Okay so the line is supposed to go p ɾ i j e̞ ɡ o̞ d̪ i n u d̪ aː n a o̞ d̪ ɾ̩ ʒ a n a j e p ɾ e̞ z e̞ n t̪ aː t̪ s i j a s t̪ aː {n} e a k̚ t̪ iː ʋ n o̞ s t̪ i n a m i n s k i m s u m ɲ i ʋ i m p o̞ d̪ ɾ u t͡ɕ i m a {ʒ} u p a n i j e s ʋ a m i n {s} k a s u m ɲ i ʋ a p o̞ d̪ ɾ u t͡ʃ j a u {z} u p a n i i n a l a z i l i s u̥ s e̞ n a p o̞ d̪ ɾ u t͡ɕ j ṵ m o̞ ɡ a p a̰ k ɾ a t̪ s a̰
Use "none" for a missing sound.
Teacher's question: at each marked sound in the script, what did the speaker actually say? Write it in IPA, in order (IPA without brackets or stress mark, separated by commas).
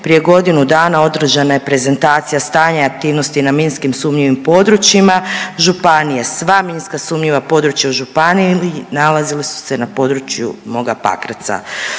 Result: ɲ, ʒ, s, ʒ